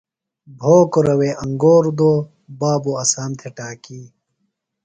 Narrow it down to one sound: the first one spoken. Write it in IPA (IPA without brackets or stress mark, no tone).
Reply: bʱ